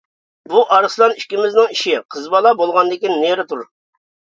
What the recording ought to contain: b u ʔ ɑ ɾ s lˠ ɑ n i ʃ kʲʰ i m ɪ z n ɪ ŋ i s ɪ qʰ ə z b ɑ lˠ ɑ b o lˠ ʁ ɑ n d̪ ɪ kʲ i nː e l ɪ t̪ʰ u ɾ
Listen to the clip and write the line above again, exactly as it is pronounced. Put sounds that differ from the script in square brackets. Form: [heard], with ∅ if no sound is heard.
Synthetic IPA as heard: b u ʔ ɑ ɾ s lˠ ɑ n i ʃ [kʲ] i m ɪ z n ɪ ŋ i [ʃ] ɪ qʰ ə z b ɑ lˠ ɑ b o lˠ ʁ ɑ n d̪ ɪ kʲ i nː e [ɾ] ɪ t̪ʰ u ɾ